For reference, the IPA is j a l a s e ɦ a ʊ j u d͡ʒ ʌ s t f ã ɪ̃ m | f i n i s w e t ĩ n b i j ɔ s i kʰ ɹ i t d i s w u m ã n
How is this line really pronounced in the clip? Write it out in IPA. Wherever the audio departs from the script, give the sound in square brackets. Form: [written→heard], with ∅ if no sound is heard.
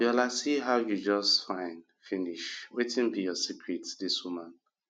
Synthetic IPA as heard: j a l a s [e→i] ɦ a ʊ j u d͡ʒ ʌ s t f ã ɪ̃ [m→n] | f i n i [s→ʃ] w e t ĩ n b i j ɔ s i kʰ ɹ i t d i s w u m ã n